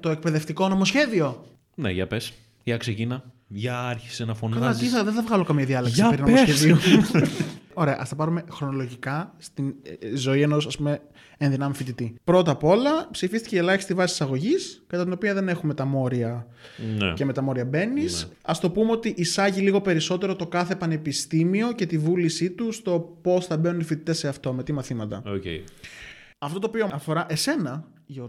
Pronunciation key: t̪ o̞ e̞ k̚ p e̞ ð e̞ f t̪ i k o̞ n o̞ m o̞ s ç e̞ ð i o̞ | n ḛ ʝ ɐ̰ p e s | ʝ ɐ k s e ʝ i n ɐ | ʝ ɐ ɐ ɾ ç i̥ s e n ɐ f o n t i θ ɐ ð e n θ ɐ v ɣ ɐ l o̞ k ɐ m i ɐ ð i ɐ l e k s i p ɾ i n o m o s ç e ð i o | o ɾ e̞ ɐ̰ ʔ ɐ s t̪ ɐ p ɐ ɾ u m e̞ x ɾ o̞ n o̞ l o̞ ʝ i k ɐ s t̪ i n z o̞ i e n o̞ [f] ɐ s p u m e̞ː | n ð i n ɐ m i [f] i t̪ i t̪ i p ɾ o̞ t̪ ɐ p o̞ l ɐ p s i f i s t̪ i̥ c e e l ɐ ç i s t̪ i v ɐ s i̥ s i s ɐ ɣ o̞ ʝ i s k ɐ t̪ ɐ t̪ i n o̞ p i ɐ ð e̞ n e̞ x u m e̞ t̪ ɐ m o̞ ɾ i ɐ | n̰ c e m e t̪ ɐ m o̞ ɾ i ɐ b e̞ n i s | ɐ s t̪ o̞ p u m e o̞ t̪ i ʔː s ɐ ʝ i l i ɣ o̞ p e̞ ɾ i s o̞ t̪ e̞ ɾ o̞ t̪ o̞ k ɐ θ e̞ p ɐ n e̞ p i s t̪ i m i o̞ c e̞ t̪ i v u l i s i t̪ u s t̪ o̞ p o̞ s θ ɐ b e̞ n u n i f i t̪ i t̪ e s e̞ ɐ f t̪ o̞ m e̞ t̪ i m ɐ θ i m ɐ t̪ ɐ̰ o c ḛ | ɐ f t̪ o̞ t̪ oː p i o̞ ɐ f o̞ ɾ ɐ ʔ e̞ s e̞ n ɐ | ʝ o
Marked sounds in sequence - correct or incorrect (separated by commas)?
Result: incorrect, correct